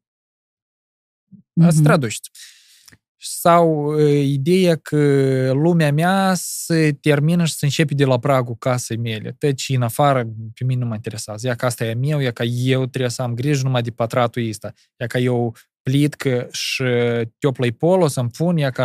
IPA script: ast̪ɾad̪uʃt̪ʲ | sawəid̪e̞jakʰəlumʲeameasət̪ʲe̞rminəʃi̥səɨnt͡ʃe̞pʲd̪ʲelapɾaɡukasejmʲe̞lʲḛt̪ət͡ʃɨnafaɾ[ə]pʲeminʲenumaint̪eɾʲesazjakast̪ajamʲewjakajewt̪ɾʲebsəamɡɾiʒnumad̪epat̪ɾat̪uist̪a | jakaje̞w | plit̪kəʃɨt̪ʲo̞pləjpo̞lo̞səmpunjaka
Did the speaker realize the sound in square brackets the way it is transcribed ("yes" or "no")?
yes